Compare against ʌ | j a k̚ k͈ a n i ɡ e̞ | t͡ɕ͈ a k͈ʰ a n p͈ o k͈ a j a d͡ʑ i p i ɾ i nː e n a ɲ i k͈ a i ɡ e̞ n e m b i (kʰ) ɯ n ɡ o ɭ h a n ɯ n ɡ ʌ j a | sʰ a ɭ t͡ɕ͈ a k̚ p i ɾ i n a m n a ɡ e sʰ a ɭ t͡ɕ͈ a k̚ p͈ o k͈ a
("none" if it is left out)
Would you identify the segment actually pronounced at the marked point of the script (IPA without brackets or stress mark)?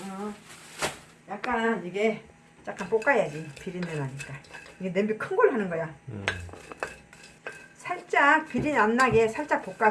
kʰ